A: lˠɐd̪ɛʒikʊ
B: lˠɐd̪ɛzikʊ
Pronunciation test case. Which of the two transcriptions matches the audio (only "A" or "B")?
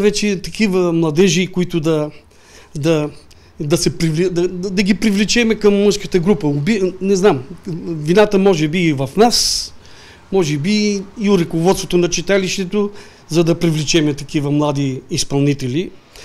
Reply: A